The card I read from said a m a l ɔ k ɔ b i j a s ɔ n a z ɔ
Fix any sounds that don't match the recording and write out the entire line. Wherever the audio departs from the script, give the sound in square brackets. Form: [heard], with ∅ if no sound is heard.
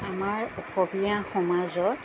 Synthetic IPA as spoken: a m a [ɹ] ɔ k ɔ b i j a [x] ɔ [m] a z ɔ